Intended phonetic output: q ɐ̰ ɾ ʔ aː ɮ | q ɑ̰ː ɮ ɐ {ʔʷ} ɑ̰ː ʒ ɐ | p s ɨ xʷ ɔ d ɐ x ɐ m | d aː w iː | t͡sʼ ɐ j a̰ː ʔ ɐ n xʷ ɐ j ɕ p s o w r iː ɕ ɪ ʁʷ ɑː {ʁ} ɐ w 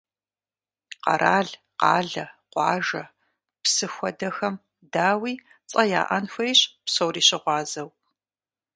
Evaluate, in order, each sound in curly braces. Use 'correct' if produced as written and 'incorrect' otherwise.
incorrect: qʷ, incorrect: z

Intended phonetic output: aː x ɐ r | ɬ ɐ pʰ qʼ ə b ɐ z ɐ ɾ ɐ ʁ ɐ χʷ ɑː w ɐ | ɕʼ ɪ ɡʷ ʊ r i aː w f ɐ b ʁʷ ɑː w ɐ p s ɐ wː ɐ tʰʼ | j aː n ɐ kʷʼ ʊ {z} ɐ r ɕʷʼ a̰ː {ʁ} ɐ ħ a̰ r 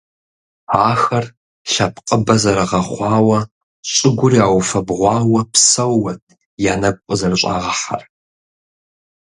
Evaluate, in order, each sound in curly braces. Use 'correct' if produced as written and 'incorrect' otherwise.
correct, correct

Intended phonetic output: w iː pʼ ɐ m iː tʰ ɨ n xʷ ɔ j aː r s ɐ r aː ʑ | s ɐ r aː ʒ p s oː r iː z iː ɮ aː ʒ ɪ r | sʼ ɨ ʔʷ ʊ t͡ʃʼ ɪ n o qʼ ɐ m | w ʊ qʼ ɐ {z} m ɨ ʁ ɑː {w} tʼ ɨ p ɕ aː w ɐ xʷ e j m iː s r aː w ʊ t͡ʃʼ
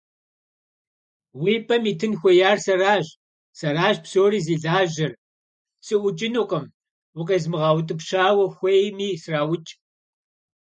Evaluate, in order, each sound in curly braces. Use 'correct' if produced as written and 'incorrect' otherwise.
correct, correct

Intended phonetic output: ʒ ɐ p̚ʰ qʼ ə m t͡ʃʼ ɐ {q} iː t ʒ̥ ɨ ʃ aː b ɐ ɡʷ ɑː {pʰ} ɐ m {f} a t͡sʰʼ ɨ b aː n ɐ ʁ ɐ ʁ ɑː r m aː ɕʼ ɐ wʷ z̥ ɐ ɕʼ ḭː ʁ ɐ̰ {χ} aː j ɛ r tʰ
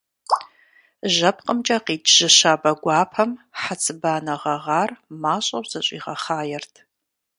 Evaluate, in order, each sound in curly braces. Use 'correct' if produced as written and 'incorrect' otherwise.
correct, correct, incorrect: ħ, correct

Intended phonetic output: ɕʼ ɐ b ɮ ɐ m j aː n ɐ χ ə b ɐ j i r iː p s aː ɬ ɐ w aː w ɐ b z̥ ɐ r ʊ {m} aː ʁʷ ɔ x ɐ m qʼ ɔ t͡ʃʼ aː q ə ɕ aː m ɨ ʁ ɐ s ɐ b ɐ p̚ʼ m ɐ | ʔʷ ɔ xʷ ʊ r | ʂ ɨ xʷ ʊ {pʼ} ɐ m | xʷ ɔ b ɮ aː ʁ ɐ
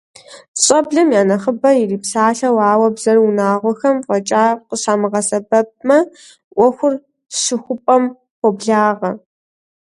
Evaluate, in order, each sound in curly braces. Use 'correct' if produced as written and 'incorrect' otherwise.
incorrect: n, correct

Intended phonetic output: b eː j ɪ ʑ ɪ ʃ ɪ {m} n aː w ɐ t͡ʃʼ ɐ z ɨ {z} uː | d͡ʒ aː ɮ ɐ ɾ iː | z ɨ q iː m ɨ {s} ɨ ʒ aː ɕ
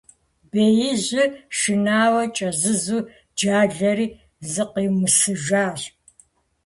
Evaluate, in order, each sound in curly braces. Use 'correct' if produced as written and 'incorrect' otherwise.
incorrect: none, correct, correct

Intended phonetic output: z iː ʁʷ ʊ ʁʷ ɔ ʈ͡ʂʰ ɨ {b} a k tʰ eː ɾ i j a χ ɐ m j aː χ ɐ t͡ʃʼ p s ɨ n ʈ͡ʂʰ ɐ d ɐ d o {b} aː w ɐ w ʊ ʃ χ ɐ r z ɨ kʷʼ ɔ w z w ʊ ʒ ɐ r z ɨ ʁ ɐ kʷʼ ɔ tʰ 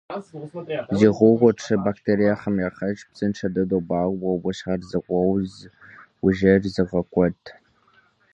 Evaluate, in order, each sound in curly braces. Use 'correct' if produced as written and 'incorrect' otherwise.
correct, correct

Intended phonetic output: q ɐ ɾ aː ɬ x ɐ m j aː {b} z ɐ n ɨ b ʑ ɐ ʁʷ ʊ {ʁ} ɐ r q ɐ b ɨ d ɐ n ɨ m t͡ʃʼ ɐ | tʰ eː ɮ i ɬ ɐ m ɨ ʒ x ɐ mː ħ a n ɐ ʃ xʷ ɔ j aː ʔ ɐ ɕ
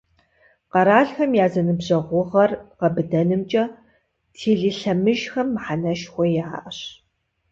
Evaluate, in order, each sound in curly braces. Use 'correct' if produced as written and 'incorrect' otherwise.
incorrect: none, correct

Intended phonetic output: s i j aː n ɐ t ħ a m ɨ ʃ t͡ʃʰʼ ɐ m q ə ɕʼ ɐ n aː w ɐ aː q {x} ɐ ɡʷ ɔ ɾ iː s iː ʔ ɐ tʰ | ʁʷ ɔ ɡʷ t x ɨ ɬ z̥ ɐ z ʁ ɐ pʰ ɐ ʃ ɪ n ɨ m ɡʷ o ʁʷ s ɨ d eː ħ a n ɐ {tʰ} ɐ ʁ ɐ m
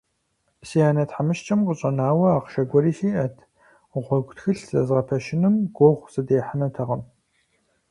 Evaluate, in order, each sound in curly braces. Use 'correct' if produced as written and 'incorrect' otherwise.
incorrect: ʃ, correct

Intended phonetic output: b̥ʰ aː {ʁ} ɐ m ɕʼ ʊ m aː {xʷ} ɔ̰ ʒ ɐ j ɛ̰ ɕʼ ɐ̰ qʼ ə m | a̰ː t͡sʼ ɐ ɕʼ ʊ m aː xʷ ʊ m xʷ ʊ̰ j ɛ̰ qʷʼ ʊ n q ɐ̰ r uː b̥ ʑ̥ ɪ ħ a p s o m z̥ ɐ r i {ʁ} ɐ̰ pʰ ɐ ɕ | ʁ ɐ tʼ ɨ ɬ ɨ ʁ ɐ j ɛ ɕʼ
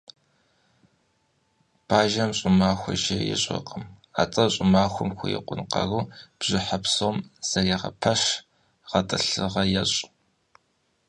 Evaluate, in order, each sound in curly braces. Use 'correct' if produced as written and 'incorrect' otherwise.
incorrect: ʒ, correct, correct

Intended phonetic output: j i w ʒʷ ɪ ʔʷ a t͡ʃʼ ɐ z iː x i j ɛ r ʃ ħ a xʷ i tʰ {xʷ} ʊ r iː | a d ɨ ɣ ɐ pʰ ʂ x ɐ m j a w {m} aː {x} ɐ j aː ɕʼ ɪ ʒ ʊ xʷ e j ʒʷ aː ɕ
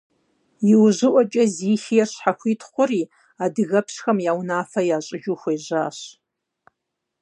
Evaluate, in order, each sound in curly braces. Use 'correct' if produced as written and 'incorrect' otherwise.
incorrect: χʷ, incorrect: n, incorrect: f

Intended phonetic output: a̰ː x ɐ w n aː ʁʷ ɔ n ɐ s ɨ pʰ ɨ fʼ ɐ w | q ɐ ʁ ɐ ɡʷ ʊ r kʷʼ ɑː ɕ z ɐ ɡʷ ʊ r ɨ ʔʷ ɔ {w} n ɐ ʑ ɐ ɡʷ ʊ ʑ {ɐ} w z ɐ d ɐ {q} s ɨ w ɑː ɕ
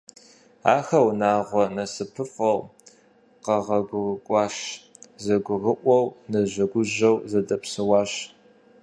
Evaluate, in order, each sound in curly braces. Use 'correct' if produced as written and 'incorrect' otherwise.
correct, correct, incorrect: p

